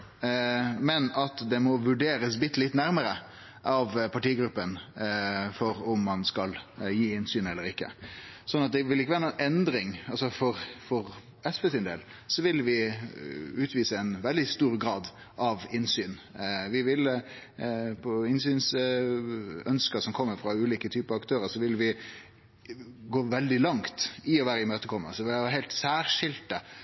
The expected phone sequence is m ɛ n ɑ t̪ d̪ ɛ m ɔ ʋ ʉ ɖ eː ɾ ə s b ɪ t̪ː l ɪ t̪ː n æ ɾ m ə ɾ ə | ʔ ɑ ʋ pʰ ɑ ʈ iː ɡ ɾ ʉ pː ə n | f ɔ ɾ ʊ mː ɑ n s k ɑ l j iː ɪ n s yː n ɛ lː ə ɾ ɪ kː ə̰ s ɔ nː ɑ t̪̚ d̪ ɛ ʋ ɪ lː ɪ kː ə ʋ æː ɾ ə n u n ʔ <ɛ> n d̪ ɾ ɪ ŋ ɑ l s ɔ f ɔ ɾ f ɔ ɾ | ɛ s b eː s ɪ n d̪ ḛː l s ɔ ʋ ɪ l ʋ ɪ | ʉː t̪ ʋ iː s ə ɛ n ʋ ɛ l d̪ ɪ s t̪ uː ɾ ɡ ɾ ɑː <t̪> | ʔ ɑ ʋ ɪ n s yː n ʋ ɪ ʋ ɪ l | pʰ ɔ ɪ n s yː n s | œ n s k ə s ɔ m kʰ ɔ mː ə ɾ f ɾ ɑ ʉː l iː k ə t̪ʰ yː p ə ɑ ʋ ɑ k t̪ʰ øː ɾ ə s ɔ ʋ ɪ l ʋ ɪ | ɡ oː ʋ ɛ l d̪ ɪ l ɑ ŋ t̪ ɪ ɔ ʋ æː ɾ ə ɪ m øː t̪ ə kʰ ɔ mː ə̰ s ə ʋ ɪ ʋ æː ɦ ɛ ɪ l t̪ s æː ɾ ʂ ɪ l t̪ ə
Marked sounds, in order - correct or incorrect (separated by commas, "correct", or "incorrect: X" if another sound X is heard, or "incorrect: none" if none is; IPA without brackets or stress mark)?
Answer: correct, incorrect: d̪